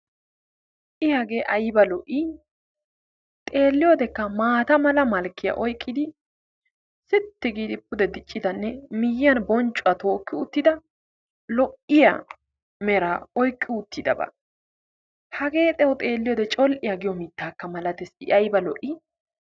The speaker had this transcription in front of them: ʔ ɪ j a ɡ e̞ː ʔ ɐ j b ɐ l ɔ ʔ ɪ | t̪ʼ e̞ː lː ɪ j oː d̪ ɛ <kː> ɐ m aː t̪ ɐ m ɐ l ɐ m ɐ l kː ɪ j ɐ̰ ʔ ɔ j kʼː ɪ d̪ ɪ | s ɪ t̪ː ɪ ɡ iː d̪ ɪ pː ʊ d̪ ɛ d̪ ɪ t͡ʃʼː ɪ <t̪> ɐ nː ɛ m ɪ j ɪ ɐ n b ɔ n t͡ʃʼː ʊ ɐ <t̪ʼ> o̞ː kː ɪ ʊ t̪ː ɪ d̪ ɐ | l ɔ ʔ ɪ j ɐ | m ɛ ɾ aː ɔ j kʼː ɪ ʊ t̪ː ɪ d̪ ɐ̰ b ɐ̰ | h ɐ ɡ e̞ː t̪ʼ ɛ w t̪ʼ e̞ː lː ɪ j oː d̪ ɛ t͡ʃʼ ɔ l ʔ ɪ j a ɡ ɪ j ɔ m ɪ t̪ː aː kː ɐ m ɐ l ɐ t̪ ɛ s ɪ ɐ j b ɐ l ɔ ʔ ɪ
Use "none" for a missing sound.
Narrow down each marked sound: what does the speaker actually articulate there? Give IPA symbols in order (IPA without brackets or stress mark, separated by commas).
kː, d̪, t̪